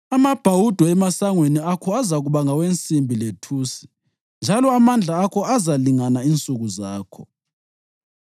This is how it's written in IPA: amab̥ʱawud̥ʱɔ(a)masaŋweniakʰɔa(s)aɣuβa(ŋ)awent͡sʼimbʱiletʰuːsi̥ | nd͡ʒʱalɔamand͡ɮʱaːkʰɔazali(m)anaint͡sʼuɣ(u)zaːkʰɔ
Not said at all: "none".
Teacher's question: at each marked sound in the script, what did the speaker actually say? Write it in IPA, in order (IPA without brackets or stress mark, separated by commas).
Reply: ɛ, z, ŋ, ŋ, u